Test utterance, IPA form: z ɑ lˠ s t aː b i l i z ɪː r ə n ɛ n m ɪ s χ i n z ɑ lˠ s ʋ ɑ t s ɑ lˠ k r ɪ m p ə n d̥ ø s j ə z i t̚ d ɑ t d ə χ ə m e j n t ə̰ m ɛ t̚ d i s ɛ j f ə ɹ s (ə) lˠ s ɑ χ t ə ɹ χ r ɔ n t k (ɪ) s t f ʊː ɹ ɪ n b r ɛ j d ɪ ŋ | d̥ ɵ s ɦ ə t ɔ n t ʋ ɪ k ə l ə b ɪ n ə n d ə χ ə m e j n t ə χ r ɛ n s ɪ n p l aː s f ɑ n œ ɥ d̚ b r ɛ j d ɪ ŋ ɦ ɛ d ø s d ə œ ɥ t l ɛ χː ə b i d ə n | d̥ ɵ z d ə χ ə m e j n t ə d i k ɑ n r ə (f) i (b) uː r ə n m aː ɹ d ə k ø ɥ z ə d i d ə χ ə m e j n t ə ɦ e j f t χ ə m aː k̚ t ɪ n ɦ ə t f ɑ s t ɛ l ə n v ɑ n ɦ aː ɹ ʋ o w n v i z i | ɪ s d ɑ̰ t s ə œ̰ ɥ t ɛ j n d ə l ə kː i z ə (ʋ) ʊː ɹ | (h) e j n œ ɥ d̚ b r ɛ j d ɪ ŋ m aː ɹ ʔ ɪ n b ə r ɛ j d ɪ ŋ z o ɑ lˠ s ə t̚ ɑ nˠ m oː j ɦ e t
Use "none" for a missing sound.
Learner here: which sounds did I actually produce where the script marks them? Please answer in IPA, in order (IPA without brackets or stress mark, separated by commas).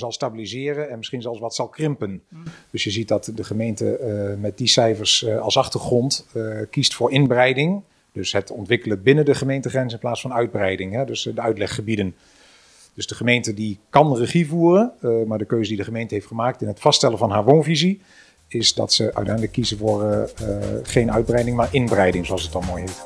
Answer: ɑ, i, χ, v, v, χ